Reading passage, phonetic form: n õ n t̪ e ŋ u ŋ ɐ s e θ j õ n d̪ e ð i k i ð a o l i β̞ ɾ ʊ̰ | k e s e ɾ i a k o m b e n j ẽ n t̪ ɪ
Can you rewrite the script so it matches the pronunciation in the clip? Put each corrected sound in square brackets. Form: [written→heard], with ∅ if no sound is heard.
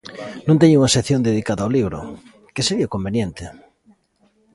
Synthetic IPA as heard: n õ n t̪ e [ŋ→ɲ] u ŋ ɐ s e θ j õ n d̪ e ð i k [i→a] ð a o l i β̞ ɾ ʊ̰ | k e s e ɾ i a k o m b e n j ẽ n t̪ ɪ